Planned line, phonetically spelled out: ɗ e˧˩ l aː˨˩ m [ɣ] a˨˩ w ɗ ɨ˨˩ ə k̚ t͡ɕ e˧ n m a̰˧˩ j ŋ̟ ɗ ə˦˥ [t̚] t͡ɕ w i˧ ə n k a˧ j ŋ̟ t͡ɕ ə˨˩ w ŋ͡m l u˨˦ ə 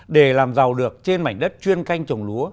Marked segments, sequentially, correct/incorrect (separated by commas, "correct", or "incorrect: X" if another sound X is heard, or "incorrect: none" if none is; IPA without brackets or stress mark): incorrect: z, correct